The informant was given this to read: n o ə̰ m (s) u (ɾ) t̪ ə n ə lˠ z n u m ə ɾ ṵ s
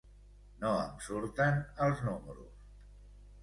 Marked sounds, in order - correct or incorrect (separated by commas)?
correct, correct